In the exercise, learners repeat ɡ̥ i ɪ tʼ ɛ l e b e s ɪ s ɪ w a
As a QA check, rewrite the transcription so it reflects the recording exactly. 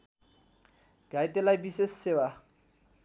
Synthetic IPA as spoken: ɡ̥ a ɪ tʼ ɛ l a b i s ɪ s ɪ w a